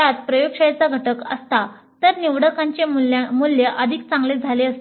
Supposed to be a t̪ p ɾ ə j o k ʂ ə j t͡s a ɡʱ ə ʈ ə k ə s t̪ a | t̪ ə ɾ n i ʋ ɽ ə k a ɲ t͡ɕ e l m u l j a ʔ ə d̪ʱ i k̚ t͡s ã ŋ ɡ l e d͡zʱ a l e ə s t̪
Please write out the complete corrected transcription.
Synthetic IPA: a t̪ p ɾ ə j o k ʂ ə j t͡s a ɡʱ ə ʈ ə k ə s t̪ a | t̪ ə ɾ n i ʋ ɽ ə k a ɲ t͡ɕ e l m u l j ə ʔ ə d̪ʱ i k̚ t͡s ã ŋ ɡ l e d͡zʱ a l e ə s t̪

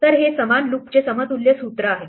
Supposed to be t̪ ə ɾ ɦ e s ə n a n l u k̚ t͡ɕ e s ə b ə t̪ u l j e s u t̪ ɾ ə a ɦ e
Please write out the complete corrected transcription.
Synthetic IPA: t̪ ə ɾ ɦ e s ə m a n l u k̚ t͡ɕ e s ə m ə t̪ u l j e s u t̪ ɾ ə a ɦ e

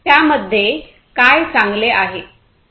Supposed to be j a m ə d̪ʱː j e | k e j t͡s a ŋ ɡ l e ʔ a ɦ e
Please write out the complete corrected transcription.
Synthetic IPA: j a m ə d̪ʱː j e | k a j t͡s a ŋ ɡ l e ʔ a ɦ e

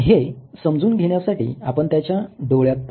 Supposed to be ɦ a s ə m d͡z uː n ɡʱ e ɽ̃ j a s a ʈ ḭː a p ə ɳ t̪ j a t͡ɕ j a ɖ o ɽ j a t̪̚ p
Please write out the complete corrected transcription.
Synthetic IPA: ɦ e s ə m d͡z uː n ɡʱ e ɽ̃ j a s a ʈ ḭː a p ə ɳ t̪ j a t͡ɕ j a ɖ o ɭ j a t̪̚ p

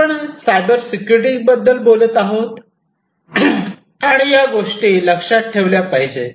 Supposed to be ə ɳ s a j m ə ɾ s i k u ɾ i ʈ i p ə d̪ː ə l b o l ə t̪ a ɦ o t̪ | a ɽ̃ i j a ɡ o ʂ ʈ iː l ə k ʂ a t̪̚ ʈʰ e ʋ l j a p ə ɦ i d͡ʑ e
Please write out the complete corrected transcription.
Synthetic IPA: ə ɳ s a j b ə ɾ s i k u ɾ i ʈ i b ə d̪ː ə l b o l ə t̪ a ɦ o t̪ | a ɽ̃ i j a ɡ o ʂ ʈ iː l ə k ʂ a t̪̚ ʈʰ e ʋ l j a p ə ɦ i d͡ʑ e

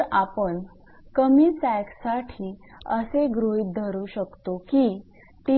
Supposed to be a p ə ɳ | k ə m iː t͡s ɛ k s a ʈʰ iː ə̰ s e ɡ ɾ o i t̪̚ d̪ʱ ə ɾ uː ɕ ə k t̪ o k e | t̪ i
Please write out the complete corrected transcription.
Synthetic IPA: a p ə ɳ | k ə m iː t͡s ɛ k s a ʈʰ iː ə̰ s e ɡ ɾ o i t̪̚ d̪ʱ ə ɾ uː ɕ ə k t̪ o k i | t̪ i

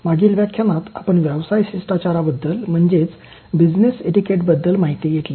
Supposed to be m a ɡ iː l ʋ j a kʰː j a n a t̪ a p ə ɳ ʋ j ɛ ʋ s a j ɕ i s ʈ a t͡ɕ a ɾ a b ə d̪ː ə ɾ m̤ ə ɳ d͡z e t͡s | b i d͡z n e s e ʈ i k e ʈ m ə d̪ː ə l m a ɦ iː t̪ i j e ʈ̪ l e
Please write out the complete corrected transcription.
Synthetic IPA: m a ɡ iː l ʋ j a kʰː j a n a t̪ a p ə ɳ ʋ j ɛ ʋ s a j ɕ i s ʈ a t͡ɕ a ɾ a b ə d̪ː ə l m̤ ə ɳ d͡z e t͡s | b i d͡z n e s e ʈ i k e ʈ b ə d̪ː ə l m a ɦ i t̪ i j e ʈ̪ l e

